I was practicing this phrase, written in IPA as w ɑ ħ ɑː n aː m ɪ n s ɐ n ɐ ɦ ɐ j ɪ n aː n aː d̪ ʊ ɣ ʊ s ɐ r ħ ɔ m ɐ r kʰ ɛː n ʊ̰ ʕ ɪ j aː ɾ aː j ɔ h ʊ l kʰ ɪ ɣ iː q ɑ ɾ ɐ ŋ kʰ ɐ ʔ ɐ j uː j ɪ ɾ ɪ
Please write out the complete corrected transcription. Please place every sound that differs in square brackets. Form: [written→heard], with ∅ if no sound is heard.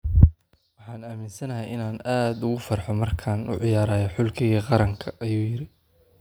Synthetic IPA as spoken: w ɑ ħ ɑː n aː m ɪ n s ɐ n ɐ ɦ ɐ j ɪ n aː n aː d̪ ʊ ɣ ʊ [s→f] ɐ r ħ ɔ m ɐ r kʰ [ɛː→aː] n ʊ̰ ʕ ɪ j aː ɾ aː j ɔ [h→ħ] ʊ l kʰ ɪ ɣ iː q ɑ ɾ ɐ ŋ kʰ ɐ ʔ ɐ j uː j ɪ ɾ ɪ